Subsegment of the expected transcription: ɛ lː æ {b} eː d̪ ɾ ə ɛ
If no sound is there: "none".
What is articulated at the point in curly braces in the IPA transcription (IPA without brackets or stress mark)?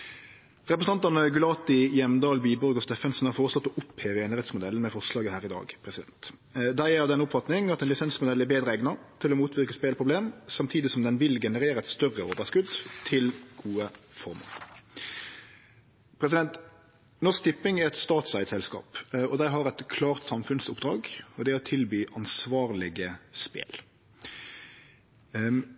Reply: b